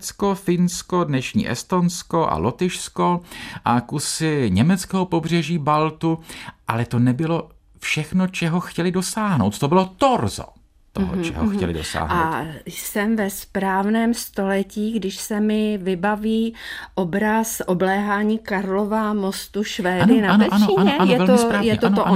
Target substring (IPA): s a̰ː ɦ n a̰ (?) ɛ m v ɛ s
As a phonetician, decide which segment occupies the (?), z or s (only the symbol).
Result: s